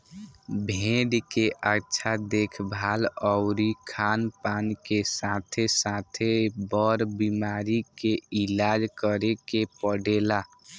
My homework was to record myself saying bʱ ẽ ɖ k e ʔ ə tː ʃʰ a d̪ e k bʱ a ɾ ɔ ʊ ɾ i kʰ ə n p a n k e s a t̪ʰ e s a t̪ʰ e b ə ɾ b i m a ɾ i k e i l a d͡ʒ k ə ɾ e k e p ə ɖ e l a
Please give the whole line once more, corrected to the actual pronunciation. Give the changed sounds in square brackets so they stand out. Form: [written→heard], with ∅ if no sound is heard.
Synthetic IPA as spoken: bʱ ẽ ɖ k e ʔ ə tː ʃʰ a d̪ e [k→kʰ] bʱ a [ɾ→l] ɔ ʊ ɾ i kʰ [ə→a] n p a n k e s a t̪ʰ e s a t̪ʰ e b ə ɾ b i m a ɾ i k e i l a d͡ʒ k ə ɾ e k e p ə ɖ e l a